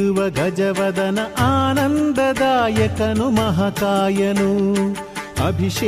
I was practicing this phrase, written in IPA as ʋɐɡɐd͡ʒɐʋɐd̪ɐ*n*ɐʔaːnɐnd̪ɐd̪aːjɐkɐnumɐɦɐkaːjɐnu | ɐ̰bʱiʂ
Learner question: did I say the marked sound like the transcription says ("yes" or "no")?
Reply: yes